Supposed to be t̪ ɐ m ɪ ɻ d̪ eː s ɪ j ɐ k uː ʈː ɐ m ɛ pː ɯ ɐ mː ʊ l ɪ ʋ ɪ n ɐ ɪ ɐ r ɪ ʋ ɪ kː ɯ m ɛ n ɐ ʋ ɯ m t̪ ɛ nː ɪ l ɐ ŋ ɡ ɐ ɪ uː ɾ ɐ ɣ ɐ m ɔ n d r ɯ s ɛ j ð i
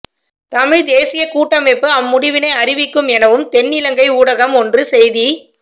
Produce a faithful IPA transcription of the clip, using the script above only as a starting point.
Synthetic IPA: t̪ ɐ m ɪ ɻ d̪ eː s ɪ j ɐ k uː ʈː ɐ m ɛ pː ɯ ɐ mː ʊ ɽ ɪ ʋ ɪ n ɐ ɪ ɐ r ɪ ʋ ɪ kː ɯ m ɛ n ɐ ʋ ɯ m t̪ ɛ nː ɪ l ɐ ŋ ɡ ɐ ɪ uː ɽ ɐ ɣ ɐ m ɔ n d r ɯ s ɛ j ð i